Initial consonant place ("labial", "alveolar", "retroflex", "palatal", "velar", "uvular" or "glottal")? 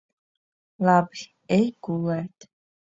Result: alveolar